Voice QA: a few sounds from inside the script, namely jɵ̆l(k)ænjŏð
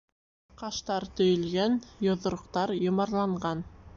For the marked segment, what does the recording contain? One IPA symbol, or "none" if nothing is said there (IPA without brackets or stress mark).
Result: ɡ